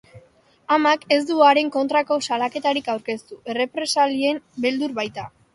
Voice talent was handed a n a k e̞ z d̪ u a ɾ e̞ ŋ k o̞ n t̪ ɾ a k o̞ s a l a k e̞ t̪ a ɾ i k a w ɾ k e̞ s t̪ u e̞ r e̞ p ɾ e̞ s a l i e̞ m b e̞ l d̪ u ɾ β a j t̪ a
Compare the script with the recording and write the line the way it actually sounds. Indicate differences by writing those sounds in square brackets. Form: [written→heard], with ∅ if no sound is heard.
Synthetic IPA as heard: a [n→m] a k e̞ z d̪ u a ɾ e̞ ŋ k o̞ n t̪ ɾ a k o̞ s a l a k e̞ t̪ a ɾ i k a w ɾ k e̞ s t̪ u e̞ r e̞ p ɾ e̞ s a l i e̞ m b e̞ l d̪ u ɾ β a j t̪ a